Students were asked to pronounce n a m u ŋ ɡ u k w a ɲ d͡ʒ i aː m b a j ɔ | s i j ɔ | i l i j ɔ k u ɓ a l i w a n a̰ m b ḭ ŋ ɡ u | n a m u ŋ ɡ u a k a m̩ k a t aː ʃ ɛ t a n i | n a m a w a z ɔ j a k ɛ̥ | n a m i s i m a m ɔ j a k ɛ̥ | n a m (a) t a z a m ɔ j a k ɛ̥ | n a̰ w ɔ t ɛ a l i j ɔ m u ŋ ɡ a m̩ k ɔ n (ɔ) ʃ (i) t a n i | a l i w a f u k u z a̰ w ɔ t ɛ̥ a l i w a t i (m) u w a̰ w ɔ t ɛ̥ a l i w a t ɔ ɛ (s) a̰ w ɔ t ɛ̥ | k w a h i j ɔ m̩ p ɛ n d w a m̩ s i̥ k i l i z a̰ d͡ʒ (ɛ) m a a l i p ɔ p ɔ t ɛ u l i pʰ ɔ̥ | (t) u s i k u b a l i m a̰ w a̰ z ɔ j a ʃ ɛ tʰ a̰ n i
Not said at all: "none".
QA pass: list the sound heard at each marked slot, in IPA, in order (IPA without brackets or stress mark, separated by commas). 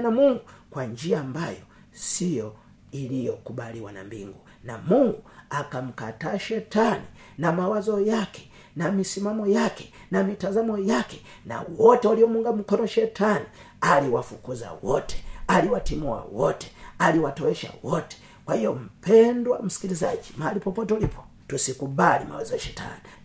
i, ɔ, ɛ, m, ʃ, i, t